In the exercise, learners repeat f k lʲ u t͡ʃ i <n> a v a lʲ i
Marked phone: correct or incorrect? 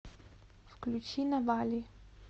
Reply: correct